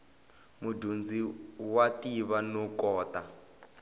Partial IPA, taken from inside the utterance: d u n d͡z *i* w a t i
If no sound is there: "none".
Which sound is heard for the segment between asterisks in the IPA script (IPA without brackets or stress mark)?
i